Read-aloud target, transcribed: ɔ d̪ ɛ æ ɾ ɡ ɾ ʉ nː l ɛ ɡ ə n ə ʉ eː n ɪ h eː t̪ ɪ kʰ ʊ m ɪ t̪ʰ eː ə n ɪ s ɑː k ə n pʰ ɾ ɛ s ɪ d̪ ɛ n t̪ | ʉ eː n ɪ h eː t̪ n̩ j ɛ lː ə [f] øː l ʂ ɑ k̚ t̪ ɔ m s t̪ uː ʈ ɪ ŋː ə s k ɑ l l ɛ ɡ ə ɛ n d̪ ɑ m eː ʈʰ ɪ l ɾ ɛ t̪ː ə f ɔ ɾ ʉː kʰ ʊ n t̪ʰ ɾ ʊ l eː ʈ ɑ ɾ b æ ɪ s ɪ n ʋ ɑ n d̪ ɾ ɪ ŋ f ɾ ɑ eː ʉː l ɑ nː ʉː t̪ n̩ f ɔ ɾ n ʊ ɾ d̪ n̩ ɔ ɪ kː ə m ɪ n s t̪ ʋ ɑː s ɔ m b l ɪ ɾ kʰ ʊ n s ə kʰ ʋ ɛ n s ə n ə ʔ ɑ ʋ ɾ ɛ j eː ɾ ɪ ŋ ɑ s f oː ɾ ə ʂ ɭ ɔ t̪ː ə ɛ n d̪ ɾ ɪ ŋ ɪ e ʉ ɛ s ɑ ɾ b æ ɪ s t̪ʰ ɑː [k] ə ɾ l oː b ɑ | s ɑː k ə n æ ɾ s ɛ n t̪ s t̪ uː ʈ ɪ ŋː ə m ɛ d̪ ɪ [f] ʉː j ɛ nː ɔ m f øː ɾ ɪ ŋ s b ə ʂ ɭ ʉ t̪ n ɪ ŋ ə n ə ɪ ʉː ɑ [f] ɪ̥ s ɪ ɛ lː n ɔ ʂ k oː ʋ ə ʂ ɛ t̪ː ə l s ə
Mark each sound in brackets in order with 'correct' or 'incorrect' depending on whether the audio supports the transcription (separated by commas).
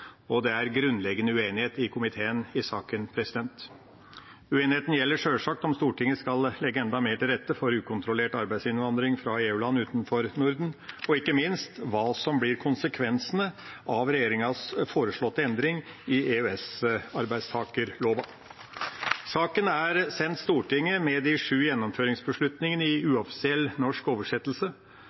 incorrect, correct, incorrect, correct